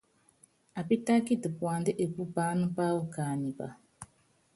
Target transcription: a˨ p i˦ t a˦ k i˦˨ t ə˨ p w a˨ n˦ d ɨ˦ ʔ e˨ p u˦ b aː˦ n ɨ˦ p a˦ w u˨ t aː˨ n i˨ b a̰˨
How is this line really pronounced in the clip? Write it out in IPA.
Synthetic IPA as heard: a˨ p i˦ t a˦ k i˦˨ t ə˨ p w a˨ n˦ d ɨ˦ ʔ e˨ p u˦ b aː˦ n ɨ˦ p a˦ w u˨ k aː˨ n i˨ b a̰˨